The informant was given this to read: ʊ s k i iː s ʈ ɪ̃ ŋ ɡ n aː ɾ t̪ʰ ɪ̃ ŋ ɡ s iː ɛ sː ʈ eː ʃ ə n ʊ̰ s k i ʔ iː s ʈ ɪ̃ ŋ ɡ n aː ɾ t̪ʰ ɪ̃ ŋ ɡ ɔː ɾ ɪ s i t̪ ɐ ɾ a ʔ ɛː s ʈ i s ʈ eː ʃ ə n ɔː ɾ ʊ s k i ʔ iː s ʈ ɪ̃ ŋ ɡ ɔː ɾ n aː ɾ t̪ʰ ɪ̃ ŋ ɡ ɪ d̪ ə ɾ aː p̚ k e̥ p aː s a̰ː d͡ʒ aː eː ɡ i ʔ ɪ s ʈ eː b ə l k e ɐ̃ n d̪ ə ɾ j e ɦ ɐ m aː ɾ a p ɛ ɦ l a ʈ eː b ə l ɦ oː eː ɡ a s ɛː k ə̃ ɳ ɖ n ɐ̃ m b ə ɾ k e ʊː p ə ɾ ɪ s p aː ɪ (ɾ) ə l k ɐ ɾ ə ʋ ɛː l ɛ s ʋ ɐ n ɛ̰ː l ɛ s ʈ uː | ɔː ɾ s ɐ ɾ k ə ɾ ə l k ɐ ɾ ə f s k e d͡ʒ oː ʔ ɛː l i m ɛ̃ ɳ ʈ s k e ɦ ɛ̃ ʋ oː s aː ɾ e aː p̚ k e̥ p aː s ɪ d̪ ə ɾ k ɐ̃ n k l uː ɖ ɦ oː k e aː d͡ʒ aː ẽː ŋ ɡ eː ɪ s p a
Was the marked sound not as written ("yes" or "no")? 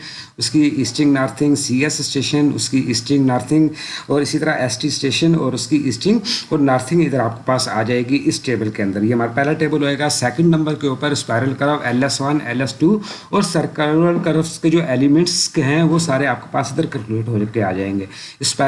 no